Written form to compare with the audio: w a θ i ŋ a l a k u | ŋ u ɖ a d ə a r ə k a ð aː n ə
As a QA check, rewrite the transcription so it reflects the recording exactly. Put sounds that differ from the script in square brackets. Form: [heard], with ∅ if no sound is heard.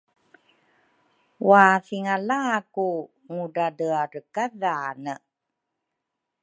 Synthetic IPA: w a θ i ŋ a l a k u | ŋ u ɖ a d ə a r ə k a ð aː n ə

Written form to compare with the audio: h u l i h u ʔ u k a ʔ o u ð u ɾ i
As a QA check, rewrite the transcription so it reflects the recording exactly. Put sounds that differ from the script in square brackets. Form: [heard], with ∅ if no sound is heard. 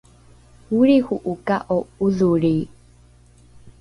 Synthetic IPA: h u [ɾ] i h u ʔ u k a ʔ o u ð u ɾ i

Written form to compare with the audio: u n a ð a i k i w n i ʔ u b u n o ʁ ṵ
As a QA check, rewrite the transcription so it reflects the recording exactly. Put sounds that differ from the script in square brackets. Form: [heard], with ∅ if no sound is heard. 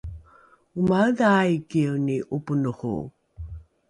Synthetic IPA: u [m] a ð a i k i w n i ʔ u [p] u n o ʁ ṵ

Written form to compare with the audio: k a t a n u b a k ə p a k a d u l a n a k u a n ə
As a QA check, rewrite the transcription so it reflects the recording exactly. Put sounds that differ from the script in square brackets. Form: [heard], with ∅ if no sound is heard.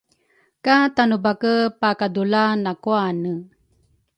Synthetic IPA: k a t a n u b a k ə p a k a d u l a n a k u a n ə

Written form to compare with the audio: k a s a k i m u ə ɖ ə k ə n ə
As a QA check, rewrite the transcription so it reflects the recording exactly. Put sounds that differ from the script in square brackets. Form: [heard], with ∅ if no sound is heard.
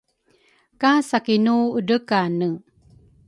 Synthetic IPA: k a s a k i [n] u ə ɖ ə k [a] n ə

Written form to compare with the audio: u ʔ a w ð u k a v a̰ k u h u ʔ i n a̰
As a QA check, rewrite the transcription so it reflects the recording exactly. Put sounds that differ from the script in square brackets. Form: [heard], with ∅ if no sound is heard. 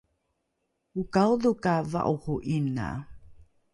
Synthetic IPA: u [k] a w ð u k a v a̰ [ʔ] u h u ʔ i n a̰

